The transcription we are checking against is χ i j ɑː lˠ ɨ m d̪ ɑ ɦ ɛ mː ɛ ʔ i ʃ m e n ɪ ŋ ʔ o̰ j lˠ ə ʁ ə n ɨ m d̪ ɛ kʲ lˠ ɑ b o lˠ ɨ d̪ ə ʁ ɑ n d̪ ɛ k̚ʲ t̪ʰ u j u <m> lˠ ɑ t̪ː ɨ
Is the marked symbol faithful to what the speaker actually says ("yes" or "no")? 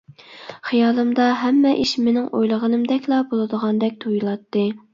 no